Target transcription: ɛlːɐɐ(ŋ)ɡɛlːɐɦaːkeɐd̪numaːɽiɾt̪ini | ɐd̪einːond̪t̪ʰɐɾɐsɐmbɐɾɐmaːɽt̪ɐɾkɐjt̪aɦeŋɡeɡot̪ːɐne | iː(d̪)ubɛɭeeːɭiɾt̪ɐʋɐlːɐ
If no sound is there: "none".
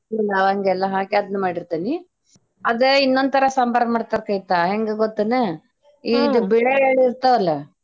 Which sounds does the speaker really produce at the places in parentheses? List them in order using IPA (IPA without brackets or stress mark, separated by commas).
ŋ, d̪